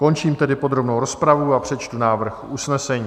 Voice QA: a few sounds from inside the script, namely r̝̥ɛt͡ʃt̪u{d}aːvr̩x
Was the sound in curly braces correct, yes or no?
no